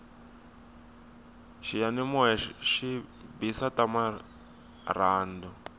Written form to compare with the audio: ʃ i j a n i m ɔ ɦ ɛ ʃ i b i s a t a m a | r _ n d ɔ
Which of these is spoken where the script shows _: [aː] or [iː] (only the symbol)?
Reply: aː